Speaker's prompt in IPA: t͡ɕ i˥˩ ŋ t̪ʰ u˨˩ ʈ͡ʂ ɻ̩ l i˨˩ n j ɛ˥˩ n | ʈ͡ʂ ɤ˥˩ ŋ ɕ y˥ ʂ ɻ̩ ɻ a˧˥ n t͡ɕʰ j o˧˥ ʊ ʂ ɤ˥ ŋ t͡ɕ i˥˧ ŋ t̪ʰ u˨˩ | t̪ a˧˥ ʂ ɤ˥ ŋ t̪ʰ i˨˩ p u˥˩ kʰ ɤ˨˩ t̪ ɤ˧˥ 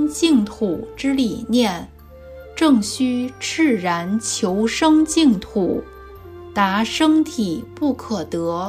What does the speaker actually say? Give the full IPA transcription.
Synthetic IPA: t͡ɕ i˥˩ ŋ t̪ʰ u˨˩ ʈ͡ʂ ɻ̩ l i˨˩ n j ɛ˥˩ n | ʈ͡ʂ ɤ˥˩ ŋ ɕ y˥ ʈ͡ʂ ɻ̩ ɻ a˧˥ n t͡ɕʰ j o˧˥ ʊ ʂ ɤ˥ ŋ t͡ɕ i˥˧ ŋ t̪ʰ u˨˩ | t̪ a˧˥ ʂ ɤ˥ ŋ t̪ʰ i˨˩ p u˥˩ kʰ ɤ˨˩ t̪ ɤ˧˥